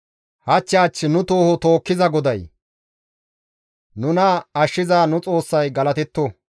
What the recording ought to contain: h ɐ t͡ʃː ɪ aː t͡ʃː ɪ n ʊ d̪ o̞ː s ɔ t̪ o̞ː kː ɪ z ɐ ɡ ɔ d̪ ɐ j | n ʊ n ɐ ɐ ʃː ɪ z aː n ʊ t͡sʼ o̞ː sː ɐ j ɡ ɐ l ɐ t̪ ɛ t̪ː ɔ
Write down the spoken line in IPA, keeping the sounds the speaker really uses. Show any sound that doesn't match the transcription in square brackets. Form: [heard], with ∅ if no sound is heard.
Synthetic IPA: h ɐ t͡ʃː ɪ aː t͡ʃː ɪ n ʊ [t̪] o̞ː [h] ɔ t̪ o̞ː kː ɪ z ɐ ɡ ɔ d̪ ɐ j | n ʊ n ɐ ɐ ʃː ɪ z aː n ʊ t͡sʼ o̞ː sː ɐ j ɡ ɐ l ɐ t̪ ɛ t̪ː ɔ